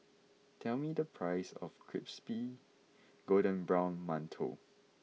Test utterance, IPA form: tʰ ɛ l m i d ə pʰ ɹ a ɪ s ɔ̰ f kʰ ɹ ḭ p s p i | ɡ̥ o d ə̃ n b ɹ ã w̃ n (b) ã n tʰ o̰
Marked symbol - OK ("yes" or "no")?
no